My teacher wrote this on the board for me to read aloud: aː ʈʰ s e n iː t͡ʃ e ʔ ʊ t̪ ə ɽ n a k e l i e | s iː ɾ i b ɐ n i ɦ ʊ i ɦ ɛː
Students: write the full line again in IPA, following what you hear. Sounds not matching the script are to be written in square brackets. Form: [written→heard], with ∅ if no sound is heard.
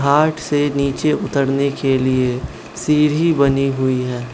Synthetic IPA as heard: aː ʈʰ s e n iː t͡ʃ e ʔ ʊ t̪ ə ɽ n [a→e] k e l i e | s iː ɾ i b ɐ n i ɦ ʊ i ɦ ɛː